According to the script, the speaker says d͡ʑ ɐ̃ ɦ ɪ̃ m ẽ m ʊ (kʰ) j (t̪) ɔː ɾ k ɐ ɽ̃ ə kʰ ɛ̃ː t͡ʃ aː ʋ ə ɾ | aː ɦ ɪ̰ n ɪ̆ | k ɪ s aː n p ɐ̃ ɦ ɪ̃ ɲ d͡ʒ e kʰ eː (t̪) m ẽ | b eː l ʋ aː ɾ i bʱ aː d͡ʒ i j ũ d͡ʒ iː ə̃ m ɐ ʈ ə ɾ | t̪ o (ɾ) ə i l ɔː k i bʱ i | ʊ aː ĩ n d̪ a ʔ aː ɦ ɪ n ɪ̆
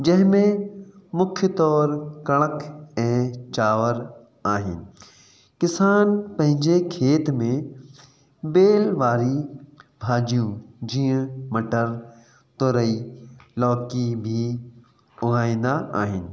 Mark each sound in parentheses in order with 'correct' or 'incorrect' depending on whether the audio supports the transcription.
correct, correct, correct, correct

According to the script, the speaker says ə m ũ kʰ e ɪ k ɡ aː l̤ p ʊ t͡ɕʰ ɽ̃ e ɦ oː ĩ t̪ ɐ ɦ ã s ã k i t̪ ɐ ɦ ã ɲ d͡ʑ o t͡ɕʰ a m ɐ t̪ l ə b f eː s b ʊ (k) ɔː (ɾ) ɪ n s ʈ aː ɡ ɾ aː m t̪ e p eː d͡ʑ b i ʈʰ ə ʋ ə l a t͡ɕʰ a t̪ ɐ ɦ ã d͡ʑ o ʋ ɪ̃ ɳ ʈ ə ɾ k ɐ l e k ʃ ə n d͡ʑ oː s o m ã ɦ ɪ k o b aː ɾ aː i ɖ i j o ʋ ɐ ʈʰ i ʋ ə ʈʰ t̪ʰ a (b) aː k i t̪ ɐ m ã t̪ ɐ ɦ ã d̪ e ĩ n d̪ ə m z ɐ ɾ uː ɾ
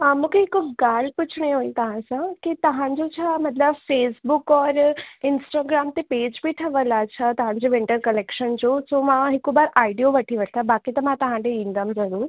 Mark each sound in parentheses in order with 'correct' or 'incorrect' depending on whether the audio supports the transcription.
correct, correct, correct

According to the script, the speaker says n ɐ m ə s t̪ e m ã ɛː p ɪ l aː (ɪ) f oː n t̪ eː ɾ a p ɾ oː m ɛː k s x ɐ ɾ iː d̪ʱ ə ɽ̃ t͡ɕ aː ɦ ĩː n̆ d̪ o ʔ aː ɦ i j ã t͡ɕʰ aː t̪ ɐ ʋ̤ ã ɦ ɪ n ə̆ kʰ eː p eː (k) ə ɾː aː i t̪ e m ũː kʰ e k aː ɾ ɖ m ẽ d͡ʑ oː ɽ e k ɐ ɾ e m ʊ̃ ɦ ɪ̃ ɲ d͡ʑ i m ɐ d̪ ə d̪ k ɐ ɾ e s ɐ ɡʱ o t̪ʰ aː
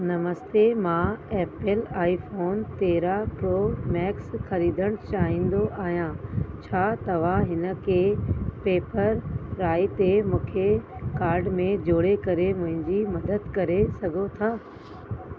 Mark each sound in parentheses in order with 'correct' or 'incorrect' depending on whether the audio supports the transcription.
incorrect: i, incorrect: p

